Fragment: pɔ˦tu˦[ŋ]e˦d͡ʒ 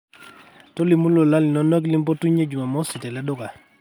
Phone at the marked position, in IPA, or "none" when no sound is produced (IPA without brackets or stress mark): ɲ